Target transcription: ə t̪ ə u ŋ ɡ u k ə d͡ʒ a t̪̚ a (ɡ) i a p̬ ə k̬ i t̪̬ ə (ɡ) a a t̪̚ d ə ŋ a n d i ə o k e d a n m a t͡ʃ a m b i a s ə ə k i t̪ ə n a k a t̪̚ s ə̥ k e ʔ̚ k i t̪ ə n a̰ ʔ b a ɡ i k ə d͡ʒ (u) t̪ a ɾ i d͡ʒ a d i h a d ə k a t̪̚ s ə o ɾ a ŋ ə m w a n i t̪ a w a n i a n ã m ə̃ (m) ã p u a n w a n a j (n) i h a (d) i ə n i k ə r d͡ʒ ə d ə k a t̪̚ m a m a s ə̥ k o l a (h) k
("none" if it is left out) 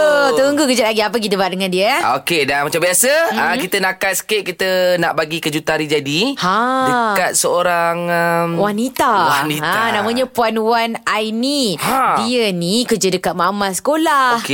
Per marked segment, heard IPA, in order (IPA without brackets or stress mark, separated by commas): ɡ, b, u, ɲ, n, d, h